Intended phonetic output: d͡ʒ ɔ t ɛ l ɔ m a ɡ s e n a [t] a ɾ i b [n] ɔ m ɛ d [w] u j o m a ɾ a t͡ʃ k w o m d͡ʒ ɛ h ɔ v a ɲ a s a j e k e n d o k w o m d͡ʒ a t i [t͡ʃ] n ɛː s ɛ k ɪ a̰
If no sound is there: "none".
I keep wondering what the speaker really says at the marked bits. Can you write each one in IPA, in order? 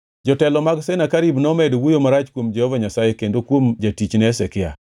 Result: k, n, w, t͡ʃ

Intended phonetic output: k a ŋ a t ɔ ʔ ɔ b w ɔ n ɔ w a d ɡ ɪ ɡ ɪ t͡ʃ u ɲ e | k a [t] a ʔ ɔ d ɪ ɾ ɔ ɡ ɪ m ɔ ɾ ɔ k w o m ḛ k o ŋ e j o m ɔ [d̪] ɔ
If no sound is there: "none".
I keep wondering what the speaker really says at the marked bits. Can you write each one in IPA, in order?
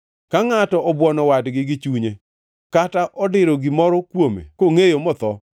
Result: t, t̪

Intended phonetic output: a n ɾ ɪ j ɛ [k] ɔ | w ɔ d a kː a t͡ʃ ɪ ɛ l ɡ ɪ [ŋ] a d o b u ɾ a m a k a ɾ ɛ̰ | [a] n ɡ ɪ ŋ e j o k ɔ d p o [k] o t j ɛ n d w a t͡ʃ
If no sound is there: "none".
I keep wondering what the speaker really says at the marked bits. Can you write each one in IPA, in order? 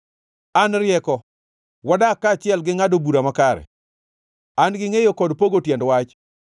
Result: k, ŋ, a, ɡ

